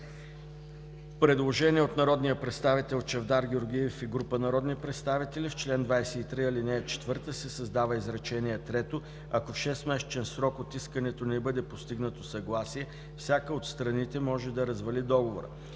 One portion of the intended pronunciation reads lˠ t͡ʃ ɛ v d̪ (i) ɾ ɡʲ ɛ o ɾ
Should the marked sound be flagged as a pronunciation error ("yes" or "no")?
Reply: yes